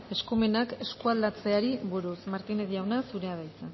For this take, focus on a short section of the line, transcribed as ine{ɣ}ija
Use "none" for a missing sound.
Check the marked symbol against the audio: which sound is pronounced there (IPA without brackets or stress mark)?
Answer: ð